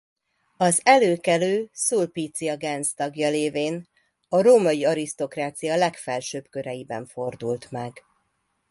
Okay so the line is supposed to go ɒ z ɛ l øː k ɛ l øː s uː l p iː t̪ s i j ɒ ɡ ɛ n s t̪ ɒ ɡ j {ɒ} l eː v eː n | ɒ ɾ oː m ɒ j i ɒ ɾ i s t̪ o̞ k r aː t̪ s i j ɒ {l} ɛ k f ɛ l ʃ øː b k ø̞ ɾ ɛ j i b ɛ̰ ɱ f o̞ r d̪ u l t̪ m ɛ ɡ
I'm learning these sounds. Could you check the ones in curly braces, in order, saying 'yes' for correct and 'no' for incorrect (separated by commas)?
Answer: yes, yes